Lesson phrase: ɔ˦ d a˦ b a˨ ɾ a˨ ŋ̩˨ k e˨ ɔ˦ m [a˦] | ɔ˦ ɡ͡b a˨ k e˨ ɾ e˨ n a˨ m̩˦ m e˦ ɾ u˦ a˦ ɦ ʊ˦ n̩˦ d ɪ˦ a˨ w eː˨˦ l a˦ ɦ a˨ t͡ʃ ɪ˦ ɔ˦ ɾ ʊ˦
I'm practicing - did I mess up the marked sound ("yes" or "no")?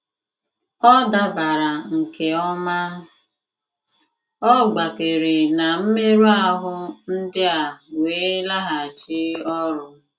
no